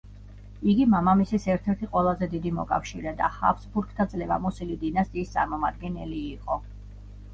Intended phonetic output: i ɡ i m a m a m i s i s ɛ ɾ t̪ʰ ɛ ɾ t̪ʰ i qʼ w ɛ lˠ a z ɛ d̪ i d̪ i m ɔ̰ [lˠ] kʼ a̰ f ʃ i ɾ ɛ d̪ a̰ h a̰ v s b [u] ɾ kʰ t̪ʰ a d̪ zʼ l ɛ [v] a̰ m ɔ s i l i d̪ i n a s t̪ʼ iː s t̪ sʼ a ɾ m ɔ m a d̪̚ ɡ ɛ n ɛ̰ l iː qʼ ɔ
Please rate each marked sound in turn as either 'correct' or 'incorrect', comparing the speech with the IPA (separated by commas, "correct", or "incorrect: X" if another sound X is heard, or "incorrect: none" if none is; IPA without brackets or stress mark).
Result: incorrect: none, correct, correct